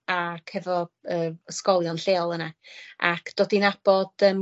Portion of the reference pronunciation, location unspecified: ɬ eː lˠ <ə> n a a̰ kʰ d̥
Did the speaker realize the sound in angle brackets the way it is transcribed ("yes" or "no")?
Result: yes